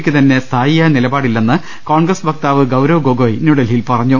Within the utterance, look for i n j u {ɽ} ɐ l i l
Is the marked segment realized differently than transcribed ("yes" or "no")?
no